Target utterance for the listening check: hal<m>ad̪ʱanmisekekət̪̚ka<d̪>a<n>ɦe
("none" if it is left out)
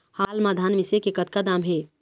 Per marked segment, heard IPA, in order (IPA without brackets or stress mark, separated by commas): m, d̪, m